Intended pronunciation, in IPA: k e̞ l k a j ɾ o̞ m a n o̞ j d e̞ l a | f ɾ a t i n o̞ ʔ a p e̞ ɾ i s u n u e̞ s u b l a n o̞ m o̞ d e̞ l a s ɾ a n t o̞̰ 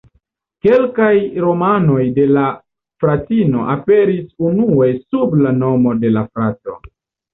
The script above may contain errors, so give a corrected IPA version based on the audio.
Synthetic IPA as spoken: k e̞ l k a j ɾ o̞ m a n o̞ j d e̞ l a | f ɾ a t i n o̞ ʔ a p e̞ ɾ i s u n u e̞ s u b l a n o̞ m o̞ d e̞ l a f ɾ a t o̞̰